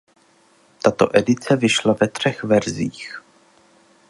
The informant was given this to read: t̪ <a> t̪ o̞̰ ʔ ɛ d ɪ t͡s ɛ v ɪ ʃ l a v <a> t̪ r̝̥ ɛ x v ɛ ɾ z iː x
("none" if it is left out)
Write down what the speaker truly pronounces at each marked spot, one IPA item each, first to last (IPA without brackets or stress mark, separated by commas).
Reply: a, ɛ